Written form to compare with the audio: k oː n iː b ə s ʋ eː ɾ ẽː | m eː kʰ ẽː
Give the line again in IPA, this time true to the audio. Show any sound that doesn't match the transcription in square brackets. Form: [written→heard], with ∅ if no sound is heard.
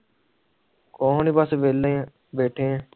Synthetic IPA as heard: k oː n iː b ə s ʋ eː [ɾ→l] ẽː | [m→b] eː [kʰ→ʈʰ] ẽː